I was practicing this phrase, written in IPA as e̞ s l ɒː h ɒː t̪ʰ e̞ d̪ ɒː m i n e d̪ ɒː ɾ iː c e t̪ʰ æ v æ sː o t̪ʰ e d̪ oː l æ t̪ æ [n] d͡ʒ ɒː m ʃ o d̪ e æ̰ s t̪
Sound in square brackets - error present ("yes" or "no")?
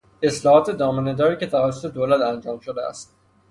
no